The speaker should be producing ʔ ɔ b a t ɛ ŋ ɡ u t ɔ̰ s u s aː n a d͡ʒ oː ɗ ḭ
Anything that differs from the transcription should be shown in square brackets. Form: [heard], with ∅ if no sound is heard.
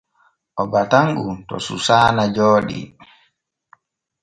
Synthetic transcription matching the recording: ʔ ɔ b a t [a] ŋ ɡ u t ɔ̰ s u s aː n a d͡ʒ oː ɗ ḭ